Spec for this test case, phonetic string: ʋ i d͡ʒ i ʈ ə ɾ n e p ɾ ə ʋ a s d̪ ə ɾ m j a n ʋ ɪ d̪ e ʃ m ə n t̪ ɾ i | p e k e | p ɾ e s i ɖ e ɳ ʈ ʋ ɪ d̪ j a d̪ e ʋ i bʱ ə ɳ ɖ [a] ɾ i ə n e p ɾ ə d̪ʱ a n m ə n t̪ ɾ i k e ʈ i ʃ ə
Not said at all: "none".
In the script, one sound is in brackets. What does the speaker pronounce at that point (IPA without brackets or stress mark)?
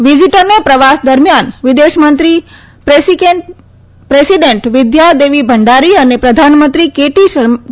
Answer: a